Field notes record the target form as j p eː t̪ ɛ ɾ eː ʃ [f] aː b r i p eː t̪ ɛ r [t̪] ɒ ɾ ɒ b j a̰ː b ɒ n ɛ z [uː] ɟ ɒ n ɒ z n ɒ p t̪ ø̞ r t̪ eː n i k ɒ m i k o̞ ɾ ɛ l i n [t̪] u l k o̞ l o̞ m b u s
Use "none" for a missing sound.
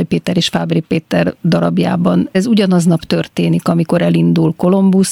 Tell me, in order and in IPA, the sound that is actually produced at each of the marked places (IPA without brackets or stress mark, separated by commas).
f, d̪, u, d̪